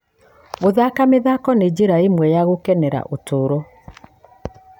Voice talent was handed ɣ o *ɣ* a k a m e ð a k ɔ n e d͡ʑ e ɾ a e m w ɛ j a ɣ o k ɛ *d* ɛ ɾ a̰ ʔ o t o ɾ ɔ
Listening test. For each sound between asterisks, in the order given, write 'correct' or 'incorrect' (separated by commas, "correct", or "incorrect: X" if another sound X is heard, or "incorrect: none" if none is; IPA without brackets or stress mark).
incorrect: ð, incorrect: n